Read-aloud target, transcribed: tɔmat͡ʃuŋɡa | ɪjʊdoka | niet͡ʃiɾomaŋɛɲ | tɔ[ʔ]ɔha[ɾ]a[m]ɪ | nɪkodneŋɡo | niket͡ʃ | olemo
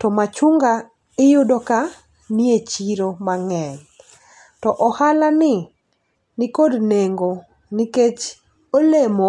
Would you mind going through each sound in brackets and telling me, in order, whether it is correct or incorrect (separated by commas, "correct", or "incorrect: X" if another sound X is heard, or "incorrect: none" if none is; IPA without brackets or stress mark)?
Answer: correct, incorrect: l, incorrect: n